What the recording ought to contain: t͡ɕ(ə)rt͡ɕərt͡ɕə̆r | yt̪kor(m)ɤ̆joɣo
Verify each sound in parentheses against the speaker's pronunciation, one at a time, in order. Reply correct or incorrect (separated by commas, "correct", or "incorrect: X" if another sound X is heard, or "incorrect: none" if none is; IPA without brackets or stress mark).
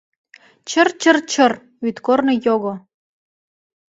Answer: correct, incorrect: n